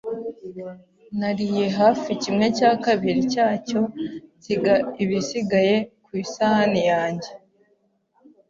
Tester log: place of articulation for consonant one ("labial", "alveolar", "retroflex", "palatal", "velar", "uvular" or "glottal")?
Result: alveolar